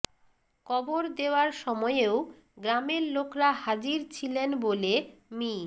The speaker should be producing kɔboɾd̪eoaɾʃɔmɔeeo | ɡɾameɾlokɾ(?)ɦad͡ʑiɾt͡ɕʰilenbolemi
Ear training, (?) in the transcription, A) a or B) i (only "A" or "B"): A